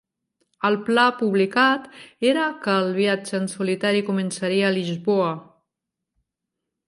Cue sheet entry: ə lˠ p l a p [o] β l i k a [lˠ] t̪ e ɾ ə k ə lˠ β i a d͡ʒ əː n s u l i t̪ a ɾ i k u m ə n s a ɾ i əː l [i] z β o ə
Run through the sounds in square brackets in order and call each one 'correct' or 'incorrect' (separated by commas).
incorrect, incorrect, correct